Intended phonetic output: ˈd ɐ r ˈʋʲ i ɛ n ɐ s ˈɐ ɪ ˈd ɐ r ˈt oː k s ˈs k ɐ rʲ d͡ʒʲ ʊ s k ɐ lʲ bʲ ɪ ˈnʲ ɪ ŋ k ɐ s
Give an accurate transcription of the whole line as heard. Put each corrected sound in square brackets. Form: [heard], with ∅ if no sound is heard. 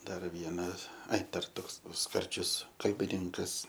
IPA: ˈd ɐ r ˈʋʲ i ɛ n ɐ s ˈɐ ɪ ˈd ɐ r ˈt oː k s ˈs k ɐ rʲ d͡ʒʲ ʊ s k ɐ lʲ bʲ ɪ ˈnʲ ɪ ŋ k ɐ s

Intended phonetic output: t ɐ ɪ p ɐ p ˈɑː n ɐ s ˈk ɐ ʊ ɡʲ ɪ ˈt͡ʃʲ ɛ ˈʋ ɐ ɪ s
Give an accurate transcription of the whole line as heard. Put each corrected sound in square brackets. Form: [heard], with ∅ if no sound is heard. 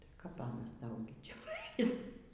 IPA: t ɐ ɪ [k] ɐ p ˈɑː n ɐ s [ˈt] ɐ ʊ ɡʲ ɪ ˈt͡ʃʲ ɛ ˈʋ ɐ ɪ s

